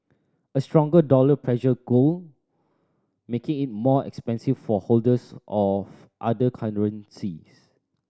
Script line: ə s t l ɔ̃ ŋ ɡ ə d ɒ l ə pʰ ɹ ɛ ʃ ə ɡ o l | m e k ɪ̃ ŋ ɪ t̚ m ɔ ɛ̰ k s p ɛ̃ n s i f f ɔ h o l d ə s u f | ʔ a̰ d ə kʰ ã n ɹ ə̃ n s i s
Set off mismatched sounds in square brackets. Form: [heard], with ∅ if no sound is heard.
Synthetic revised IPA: ə s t [ɹ] ɔ̃ ŋ ɡ ə d [ɔ] l ə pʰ ɹ ɛ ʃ ə ɡ o l | m e k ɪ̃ ŋ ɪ t̚ m ɔ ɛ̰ k s p ɛ̃ n s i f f ɔ h o l d ə s [ɔ] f | ʔ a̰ d ə kʰ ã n ɹ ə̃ n s i s